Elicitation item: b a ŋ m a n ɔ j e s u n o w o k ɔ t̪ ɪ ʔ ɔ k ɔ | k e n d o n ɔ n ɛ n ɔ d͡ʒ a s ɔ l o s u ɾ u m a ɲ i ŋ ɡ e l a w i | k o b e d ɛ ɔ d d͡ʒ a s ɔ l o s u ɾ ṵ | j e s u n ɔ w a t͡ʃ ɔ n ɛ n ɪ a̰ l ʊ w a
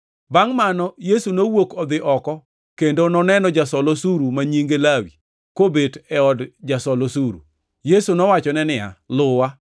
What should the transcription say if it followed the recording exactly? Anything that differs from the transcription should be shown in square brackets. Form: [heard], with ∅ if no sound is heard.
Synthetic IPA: b a ŋ m a n ɔ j e s u n o w o k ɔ [d̪] ɪ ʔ ɔ k ɔ | k e n d o n ɔ n ɛ n ɔ d͡ʒ a s ɔ l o s u ɾ u m a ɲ i ŋ ɡ e l a w i | k o b e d ɛ ɔ d d͡ʒ a s ɔ l o s u ɾ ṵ | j e s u n ɔ w a t͡ʃ ɔ n ɛ n ɪ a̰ l ʊ w a